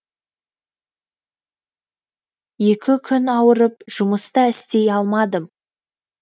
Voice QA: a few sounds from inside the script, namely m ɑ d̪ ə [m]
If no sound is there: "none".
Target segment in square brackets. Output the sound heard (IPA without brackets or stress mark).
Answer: m